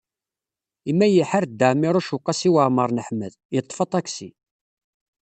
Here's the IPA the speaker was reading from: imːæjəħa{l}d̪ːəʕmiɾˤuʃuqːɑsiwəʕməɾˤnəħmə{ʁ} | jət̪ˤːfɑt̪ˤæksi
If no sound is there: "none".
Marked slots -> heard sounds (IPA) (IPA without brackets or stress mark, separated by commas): ɾ, ð